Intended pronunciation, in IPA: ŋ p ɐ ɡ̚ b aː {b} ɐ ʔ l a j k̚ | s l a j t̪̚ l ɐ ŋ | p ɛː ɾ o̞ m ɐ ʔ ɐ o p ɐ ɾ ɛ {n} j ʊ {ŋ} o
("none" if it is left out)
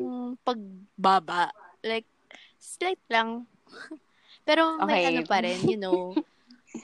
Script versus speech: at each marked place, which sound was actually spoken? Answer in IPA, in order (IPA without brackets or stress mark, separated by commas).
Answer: b, n, n